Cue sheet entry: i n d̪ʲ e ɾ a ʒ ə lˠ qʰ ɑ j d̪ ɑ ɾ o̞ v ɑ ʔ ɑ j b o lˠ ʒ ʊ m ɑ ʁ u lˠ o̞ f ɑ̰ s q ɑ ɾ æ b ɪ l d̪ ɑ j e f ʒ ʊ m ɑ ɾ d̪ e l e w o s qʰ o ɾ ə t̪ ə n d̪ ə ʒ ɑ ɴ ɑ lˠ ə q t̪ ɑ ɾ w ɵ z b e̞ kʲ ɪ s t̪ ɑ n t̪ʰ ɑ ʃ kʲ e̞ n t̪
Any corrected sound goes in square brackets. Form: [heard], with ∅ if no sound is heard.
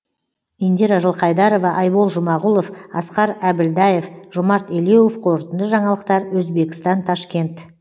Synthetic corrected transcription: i n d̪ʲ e ɾ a ʒ ə lˠ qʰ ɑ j d̪ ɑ ɾ o̞ v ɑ ʔ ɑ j b o lˠ ʒ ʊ m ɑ ʁ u lˠ o̞ f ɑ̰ s q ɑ ɾ æ b ɪ l d̪ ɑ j e f ʒ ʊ m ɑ ɾ [t̪] e l e w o [f] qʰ o ɾ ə t̪ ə n d̪ ə ʒ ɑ ɴ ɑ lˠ ə q t̪ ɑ ɾ w ɵ z b e̞ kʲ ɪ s t̪ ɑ n t̪ʰ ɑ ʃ kʲ e̞ n t̪